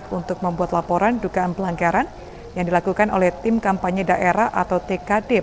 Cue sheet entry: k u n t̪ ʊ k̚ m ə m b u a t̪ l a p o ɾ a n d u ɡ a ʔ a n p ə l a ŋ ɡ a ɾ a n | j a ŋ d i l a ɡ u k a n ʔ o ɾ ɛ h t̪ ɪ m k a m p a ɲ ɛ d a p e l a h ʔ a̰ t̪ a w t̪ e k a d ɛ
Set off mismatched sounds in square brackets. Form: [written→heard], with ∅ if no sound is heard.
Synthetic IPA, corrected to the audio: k u n t̪ ʊ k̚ m ə m b u a t̪ l a p o ɾ a n d u ɡ a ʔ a n p ə l a ŋ ɡ a ɾ a n | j a ŋ d i l a [ɡ→k] u k a n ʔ o [ɾ→l] ɛ h t̪ ɪ m k a m p a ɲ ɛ d a [p→ʔ] e [l→ɾ] a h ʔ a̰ t̪ a w t̪ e k a d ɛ